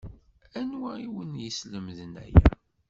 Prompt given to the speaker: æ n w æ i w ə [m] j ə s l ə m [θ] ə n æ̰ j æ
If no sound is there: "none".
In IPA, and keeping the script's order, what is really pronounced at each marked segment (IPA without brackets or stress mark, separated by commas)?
n, ð